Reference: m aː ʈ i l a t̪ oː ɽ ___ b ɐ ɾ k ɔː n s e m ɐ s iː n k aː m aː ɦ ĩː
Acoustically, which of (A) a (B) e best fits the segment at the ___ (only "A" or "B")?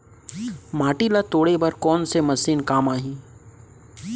B